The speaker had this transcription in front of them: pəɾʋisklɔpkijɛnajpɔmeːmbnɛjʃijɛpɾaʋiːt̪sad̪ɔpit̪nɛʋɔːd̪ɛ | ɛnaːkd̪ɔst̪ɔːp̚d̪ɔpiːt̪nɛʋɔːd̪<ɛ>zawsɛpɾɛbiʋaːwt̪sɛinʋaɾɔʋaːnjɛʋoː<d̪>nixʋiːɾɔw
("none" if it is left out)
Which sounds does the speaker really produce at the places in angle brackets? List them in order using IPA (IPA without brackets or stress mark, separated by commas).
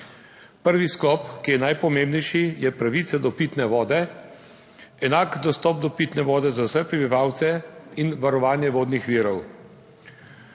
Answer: ɛ, d̪